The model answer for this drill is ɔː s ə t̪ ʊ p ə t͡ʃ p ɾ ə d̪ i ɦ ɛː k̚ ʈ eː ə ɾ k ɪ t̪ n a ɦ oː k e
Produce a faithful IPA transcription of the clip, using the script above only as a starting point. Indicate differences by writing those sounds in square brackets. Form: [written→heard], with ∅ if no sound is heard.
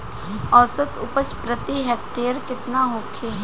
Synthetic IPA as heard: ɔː s ə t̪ ʊ p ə t͡ʃ p ɾ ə [d̪→t̪] i ɦ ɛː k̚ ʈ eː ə ɾ k ɪ t̪ n a ɦ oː [k→kʰ] e